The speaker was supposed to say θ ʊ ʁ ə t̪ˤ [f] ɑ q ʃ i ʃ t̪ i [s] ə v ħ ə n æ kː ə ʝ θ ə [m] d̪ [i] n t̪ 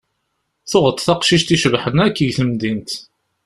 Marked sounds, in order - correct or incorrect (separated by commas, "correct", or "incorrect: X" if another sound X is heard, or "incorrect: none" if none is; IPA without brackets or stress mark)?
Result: incorrect: θ, incorrect: ʃ, correct, correct